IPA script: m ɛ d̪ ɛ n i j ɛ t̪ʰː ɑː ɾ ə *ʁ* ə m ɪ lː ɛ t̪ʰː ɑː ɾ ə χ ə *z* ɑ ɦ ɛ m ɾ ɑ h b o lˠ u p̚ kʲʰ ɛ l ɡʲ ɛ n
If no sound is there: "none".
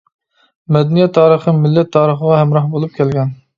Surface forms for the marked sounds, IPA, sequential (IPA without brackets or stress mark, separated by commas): χ, ʁ